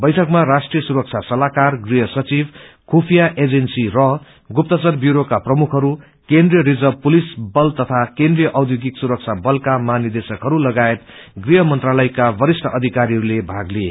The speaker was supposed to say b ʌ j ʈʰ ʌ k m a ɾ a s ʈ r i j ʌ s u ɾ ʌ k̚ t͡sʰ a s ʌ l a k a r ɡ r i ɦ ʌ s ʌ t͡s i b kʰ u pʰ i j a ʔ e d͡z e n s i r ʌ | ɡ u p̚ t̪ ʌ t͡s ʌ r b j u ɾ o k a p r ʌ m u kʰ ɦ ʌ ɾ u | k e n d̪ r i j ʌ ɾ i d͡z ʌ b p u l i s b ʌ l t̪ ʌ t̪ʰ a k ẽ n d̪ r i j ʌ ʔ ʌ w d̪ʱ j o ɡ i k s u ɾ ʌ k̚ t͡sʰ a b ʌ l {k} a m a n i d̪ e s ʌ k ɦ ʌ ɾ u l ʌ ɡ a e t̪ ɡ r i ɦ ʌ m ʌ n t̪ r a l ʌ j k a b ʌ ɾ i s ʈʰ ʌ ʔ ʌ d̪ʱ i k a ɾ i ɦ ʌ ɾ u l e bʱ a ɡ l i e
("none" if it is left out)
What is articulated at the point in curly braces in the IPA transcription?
k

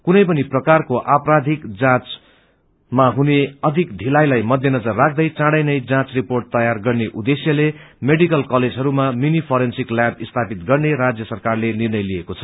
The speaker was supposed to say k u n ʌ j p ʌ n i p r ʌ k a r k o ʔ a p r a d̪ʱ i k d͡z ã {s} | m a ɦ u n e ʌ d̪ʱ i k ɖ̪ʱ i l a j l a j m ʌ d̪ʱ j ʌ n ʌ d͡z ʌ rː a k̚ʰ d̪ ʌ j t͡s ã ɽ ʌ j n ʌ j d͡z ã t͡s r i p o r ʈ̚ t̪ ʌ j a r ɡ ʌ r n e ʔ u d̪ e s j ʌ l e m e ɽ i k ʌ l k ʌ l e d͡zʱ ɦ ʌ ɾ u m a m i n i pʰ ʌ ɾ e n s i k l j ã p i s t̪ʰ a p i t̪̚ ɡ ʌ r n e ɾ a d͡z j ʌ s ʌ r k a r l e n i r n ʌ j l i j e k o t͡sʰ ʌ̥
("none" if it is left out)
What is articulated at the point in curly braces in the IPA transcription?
t͡s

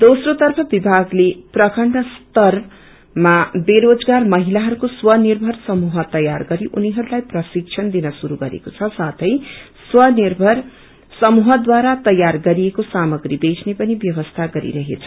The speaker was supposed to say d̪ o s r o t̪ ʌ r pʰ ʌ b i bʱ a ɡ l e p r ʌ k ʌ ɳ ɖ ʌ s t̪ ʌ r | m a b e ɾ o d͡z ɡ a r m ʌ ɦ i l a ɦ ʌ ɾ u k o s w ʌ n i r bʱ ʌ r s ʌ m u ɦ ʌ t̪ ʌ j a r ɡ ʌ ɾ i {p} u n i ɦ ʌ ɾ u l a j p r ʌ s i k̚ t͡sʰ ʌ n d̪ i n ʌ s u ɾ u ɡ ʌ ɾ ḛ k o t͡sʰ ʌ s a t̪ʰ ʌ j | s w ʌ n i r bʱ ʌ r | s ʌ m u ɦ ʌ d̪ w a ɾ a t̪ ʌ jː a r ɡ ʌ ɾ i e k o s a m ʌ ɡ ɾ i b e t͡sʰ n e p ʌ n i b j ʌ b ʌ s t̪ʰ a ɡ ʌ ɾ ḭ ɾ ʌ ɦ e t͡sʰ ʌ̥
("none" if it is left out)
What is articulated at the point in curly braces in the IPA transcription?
ʔ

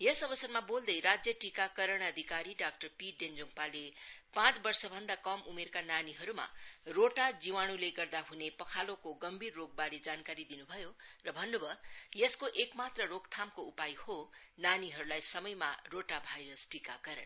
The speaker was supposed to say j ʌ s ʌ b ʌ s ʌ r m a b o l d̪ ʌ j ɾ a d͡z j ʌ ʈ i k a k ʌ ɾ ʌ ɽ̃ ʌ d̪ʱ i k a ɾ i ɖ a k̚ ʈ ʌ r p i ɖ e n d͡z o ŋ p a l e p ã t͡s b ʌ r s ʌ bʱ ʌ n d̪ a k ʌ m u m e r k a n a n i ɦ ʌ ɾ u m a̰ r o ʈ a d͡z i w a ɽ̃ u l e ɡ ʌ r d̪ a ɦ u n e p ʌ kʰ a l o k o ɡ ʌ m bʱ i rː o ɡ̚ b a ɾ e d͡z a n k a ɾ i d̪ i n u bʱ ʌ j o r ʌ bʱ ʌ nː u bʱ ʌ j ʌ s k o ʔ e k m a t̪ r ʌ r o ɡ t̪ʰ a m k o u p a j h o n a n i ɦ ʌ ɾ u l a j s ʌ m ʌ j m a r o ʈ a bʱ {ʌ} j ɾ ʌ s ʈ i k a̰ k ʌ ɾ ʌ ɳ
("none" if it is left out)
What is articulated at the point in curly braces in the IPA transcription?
a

